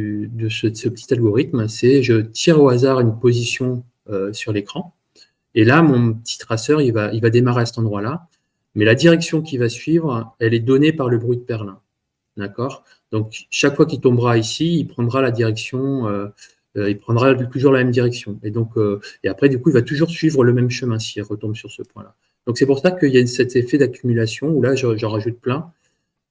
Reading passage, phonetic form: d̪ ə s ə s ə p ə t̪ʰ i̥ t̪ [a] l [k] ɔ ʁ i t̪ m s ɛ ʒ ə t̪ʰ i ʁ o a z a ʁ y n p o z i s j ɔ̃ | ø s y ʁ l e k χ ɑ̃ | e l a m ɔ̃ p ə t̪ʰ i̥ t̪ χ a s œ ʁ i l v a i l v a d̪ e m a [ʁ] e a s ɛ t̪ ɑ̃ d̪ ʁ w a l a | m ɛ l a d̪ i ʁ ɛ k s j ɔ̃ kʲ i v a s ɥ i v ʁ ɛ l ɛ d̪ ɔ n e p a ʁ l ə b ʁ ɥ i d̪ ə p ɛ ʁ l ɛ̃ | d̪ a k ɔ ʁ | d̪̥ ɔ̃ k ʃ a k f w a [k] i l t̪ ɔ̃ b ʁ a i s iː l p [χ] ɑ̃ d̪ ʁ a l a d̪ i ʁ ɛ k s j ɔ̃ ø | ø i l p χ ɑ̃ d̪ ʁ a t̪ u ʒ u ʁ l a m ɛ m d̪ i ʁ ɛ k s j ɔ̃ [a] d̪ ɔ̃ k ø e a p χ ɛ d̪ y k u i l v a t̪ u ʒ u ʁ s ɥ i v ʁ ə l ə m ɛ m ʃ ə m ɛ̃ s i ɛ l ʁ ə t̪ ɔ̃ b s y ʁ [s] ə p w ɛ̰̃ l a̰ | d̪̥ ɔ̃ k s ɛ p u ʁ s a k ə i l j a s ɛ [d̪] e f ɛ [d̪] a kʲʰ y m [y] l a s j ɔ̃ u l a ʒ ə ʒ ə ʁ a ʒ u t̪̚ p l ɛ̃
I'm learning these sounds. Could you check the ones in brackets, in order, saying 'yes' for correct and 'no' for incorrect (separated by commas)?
yes, no, yes, yes, yes, no, yes, no, yes, yes